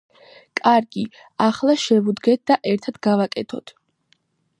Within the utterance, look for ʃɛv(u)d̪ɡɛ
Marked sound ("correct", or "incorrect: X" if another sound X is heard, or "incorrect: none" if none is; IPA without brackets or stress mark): correct